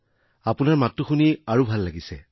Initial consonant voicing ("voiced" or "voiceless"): voiceless